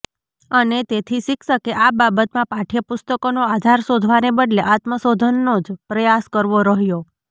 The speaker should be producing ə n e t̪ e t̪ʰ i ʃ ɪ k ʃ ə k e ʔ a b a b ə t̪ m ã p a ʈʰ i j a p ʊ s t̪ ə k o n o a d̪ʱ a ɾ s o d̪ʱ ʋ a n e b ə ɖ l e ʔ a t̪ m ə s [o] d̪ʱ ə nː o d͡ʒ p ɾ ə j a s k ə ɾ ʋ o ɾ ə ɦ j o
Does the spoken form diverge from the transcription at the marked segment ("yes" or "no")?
no